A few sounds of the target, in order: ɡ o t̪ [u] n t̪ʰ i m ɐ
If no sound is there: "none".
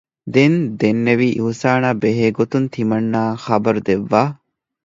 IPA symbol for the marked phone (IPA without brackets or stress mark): u